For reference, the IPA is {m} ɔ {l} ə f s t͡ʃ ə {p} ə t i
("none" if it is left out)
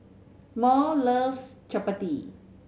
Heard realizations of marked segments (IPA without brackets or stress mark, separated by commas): m, l, p